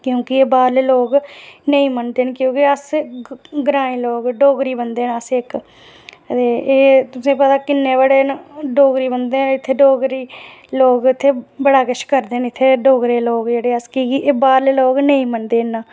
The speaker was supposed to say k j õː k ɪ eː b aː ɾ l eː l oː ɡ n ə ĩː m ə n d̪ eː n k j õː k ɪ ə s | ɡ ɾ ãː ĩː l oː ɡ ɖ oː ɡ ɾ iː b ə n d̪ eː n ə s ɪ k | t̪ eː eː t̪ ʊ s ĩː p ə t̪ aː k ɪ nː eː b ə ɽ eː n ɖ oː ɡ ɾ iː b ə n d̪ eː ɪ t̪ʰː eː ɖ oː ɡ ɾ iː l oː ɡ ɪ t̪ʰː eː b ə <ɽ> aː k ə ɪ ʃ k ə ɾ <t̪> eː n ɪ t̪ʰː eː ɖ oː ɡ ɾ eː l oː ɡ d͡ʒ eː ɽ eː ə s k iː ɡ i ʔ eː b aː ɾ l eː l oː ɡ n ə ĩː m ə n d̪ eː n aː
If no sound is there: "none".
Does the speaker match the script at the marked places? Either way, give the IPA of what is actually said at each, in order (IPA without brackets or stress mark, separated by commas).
ɽ, d̪